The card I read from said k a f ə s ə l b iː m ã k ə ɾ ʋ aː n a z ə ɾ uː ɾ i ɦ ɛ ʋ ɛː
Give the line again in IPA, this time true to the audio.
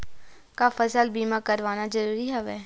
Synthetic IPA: k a f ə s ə l b iː m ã k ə ɾ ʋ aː n a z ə ɾ uː ɾ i ɦ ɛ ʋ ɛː